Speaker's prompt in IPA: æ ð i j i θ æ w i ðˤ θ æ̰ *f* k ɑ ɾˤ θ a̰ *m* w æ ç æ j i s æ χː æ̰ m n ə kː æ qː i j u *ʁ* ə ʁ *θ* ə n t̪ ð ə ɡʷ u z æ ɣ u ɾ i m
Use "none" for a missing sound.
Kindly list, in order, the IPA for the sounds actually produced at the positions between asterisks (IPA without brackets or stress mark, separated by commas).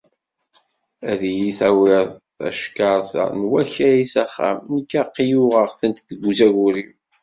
ʃ, n, ʁ, θ